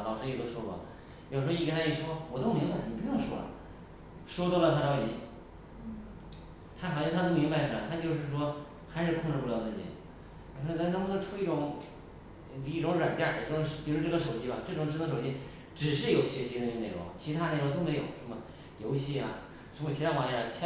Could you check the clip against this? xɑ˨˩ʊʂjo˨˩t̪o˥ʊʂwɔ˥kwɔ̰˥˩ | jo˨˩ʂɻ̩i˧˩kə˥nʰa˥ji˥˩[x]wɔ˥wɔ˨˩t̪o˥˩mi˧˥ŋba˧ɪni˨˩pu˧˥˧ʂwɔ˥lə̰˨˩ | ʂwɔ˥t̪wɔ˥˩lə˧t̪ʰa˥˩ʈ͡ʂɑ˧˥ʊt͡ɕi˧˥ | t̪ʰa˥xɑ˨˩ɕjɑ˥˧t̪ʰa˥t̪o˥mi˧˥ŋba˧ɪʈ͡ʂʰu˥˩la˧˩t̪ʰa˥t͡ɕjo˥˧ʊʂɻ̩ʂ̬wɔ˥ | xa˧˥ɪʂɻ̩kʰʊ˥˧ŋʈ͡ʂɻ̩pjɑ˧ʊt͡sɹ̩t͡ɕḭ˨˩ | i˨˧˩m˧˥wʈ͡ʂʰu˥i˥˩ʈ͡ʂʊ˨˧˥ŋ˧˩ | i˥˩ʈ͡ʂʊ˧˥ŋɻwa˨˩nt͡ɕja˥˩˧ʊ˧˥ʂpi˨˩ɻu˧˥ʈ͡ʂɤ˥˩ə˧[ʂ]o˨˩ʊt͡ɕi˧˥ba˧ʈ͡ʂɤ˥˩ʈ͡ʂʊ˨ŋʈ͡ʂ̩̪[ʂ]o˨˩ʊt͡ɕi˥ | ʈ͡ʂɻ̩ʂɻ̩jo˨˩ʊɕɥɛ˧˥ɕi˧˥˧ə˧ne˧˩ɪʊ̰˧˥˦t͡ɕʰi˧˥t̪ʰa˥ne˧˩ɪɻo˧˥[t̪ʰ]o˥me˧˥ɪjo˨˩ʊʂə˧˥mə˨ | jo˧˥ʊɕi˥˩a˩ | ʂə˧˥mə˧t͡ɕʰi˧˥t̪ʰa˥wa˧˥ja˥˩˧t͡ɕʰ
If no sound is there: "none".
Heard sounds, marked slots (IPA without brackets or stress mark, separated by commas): ʂ, ʂ, ʂ, t̪